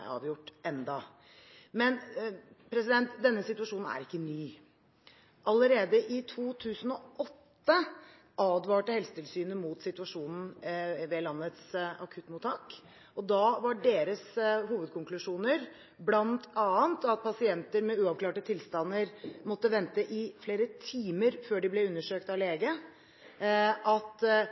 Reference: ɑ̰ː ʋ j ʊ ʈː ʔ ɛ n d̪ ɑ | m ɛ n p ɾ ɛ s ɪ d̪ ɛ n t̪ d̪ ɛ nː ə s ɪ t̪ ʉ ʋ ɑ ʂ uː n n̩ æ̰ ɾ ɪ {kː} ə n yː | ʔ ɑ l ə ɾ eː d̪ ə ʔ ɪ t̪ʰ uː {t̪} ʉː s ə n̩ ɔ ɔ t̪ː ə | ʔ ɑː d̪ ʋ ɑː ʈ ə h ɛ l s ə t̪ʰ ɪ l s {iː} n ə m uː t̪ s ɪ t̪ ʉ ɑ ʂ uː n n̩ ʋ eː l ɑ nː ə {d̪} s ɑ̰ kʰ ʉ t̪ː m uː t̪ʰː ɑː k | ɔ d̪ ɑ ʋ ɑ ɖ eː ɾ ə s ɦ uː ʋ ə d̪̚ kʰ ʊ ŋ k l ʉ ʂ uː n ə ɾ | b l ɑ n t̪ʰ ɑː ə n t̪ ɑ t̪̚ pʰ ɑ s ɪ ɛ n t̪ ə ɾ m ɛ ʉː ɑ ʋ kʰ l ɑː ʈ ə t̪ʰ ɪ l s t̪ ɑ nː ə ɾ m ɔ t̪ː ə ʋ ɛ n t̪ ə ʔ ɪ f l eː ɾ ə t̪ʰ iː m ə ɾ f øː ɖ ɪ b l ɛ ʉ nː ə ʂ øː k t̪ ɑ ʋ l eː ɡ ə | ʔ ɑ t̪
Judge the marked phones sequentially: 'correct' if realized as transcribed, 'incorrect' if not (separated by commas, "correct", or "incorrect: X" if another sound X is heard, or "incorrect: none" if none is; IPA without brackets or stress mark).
correct, incorrect: t̪ʰ, incorrect: yː, incorrect: t̪